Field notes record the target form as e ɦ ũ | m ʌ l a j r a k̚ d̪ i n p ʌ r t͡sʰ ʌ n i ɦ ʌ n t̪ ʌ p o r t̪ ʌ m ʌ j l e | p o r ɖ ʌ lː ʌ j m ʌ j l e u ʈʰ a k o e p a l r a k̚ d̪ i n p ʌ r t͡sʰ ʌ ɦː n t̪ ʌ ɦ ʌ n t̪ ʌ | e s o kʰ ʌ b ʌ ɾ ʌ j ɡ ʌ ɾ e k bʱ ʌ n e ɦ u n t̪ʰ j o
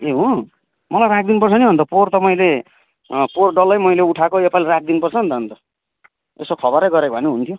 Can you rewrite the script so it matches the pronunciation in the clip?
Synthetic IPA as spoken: e ɦ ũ | m ʌ l a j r a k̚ d̪ i n p ʌ r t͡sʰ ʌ n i ɦ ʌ n t̪ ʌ p o r t̪ ʌ m ʌ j l e | p o r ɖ ʌ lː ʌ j m ʌ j l e u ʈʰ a k o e p a l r a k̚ d̪ i n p ʌ r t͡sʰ ʌ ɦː n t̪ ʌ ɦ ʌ n t̪ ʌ | e s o kʰ ʌ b ʌ ɾ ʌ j ɡ ʌ ɾ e k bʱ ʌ n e ɦ u n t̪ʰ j o